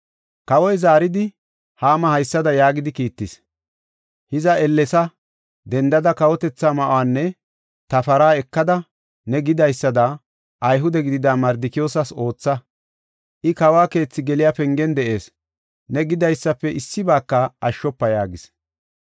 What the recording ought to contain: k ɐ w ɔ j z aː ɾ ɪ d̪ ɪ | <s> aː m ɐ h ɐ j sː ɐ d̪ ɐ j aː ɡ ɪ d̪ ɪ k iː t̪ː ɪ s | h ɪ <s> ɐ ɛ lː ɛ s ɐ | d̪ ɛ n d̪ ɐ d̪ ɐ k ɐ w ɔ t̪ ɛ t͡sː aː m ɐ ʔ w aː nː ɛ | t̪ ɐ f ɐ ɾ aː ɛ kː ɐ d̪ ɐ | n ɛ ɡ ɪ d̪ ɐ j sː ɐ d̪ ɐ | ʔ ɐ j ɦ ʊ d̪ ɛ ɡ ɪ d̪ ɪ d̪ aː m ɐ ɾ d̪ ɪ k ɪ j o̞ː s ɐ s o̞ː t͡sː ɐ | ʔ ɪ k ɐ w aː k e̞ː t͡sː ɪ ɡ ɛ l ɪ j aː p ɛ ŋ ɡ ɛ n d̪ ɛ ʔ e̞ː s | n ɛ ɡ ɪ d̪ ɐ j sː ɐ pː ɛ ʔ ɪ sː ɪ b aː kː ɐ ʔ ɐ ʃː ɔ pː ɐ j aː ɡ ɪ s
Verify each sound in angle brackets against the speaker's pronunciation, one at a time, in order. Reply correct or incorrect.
incorrect: h, incorrect: z

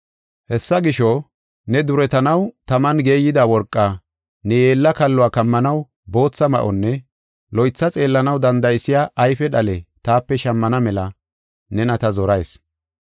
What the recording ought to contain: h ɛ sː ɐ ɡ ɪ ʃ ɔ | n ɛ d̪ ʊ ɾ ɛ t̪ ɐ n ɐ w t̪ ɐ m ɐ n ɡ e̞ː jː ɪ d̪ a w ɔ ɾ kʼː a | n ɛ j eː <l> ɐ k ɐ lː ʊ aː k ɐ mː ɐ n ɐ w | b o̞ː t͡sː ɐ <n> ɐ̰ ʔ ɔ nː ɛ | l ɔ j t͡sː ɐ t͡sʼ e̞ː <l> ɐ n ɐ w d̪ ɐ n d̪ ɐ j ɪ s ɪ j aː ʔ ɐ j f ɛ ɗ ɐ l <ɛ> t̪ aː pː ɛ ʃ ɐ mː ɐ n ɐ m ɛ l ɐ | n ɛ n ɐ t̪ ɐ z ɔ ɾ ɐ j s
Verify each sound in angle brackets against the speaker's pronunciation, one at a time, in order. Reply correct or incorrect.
incorrect: lː, incorrect: m, incorrect: lː, correct

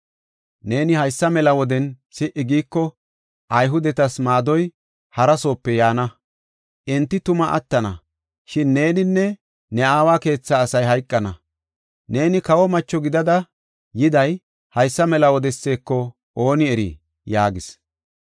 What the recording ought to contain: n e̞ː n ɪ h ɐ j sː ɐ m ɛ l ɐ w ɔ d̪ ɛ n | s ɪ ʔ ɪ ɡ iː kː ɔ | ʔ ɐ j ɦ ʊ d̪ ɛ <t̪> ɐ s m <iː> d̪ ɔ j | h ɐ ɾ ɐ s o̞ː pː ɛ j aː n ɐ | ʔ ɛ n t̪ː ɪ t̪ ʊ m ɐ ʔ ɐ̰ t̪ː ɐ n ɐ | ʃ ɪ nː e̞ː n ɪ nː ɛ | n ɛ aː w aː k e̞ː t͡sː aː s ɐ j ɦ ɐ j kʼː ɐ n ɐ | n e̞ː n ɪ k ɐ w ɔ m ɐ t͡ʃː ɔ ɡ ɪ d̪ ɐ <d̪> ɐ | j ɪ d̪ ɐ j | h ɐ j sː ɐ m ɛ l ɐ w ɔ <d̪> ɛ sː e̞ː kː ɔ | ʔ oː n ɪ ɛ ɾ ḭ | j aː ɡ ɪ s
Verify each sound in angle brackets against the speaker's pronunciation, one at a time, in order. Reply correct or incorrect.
correct, incorrect: aː, correct, correct

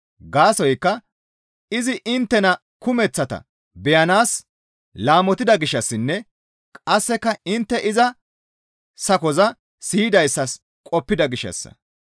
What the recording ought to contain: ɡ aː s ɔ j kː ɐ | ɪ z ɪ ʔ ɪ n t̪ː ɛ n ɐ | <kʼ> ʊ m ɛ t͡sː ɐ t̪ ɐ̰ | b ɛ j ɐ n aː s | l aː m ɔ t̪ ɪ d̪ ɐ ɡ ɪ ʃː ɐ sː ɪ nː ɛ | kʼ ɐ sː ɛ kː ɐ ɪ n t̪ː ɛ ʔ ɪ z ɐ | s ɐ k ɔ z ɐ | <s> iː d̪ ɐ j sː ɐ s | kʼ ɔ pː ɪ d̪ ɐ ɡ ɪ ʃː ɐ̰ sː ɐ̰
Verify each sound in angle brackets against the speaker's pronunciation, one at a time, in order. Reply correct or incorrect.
incorrect: k, correct

